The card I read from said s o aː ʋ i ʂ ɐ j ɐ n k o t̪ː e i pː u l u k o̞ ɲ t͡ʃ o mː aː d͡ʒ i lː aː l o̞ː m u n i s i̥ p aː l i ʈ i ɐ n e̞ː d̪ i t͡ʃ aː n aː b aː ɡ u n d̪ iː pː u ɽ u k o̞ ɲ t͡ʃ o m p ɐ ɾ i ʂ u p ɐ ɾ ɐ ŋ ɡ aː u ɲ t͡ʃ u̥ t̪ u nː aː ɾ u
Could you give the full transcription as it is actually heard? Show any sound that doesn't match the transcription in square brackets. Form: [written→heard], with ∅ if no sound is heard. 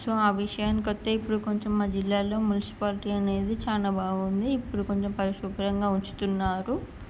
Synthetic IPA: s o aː ʋ i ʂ ɐ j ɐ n k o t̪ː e i pː u [l→ɽ] u k o̞ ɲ t͡ʃ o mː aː d͡ʒ i lː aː l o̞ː m u n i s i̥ p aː l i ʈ i ɐ n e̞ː d̪ i t͡ʃ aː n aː b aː ɡ u n d̪ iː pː u ɽ u k o̞ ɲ t͡ʃ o m p ɐ ɾ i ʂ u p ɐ ɾ ɐ ŋ ɡ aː u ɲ t͡ʃ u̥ t̪ u nː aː ɾ u